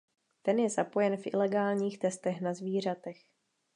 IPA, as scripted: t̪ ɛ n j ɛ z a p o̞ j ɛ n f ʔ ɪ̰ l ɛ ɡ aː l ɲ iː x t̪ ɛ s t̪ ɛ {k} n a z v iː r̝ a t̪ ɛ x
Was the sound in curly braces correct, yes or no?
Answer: no